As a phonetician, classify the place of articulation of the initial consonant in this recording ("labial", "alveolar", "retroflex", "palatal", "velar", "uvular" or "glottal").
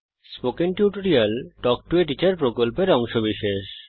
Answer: alveolar